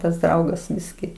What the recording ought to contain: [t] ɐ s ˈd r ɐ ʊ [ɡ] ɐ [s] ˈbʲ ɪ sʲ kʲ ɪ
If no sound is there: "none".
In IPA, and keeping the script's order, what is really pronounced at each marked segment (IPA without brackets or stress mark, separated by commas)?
t, ɡ, s